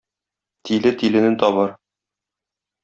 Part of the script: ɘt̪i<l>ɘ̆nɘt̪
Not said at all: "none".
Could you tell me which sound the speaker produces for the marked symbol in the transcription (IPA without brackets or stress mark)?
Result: l